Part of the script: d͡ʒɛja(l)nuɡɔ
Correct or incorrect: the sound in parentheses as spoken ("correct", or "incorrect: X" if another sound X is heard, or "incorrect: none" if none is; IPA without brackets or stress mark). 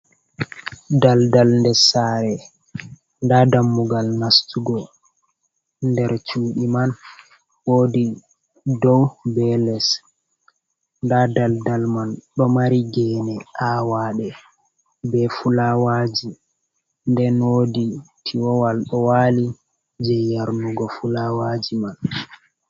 incorrect: ɾ